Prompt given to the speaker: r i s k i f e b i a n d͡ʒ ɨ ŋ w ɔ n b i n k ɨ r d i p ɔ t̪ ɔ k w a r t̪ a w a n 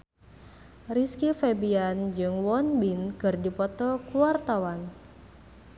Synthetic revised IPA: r i s k i f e b i a n d͡ʒ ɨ ŋ w ɔ n b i n k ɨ r d i p ɔ t̪ ɔ k u a r t̪ a w a n